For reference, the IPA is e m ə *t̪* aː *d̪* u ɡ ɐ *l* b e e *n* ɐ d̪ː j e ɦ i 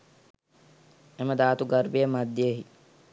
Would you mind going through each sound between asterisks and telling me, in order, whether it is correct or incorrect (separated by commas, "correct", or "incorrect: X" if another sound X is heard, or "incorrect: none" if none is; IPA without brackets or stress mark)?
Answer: incorrect: d̪, incorrect: t̪, incorrect: ɾ, incorrect: m